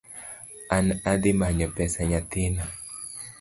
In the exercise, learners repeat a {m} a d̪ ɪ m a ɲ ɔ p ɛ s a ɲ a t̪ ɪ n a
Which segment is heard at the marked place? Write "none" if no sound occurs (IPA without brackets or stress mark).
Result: n